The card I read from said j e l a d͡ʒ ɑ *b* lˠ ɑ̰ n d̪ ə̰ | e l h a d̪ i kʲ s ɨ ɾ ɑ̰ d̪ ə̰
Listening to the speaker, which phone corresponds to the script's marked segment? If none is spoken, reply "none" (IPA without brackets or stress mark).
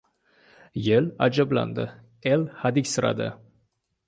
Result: b